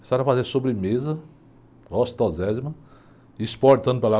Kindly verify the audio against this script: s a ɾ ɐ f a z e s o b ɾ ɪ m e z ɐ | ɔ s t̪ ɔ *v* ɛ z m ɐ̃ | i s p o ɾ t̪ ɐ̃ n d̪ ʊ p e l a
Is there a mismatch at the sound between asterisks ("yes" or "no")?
yes